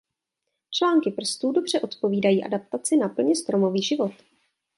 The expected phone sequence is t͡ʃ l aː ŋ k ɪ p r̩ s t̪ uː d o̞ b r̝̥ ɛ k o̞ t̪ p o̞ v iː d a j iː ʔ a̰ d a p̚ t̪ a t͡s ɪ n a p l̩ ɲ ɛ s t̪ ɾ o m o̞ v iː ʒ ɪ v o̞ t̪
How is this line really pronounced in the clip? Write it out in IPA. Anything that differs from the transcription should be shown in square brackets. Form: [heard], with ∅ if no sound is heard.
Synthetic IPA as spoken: t͡ʃ l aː ŋ k ɪ p r̩ s t̪ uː d o̞ b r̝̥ ɛ [ʔ] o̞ t̪ p o̞ v iː d a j iː ʔ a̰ d a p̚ t̪ a t͡s ɪ n a p l̩ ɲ ɛ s t̪ ɾ o m o̞ v iː ʒ ɪ v o̞ t̪